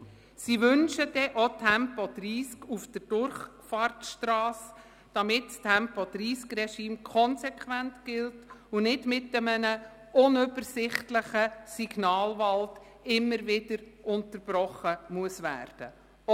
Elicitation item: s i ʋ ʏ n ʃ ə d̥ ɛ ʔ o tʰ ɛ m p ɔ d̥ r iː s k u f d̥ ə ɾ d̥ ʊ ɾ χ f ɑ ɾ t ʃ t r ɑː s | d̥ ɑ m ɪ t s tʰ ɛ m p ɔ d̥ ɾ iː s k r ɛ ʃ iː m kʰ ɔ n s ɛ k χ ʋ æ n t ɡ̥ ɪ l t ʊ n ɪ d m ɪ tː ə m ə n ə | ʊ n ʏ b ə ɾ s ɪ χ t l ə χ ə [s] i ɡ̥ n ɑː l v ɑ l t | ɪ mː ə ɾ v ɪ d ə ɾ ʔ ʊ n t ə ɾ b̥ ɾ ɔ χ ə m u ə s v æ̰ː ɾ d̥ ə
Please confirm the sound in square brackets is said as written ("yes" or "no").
yes